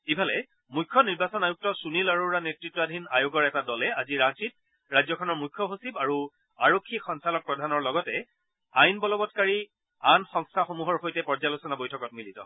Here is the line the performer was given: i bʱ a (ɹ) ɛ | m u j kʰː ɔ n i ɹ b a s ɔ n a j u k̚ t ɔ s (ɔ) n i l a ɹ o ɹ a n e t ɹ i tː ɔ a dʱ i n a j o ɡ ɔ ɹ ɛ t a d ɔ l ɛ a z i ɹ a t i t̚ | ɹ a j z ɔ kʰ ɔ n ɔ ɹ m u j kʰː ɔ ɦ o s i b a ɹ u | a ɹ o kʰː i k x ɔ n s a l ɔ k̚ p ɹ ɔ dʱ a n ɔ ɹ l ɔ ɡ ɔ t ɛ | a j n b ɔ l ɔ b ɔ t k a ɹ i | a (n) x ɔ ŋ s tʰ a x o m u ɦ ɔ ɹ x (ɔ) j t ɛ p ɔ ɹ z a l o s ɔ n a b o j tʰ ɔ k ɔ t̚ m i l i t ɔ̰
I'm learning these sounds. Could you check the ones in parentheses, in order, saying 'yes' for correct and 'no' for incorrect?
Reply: no, no, yes, no

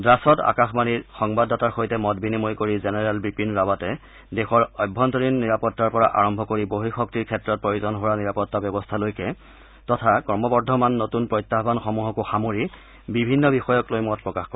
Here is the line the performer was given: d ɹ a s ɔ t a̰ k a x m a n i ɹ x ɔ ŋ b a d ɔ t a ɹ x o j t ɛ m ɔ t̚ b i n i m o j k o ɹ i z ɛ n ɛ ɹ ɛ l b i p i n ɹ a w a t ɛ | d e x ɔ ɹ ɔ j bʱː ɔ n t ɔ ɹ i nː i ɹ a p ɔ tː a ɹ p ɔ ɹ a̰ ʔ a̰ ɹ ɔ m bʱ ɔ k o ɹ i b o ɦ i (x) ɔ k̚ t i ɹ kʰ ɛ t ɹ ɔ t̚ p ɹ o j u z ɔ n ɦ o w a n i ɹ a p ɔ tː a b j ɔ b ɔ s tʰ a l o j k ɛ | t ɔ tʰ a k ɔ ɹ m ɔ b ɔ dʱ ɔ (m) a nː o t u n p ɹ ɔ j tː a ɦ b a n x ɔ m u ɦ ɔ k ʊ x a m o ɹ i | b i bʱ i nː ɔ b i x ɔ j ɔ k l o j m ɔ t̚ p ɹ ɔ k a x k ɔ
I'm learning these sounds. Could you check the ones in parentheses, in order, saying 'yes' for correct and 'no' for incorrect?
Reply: yes, yes

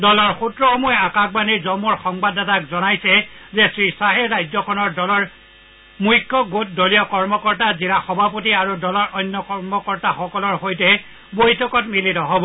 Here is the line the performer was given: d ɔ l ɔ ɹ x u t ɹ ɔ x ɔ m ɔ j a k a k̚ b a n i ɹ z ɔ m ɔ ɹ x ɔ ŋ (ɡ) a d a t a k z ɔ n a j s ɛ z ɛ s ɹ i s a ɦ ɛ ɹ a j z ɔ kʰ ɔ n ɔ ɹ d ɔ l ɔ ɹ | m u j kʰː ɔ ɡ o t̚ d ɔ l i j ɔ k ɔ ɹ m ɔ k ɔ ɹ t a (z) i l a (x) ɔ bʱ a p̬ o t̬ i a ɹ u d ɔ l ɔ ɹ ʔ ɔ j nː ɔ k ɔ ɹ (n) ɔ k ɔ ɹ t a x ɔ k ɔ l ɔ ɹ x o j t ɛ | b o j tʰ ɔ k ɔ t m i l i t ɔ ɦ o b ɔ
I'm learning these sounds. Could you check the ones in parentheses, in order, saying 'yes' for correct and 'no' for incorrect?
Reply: no, yes, yes, no

